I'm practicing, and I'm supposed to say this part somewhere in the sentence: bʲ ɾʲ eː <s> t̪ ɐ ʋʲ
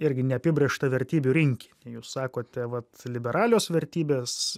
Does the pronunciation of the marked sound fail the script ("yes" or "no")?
yes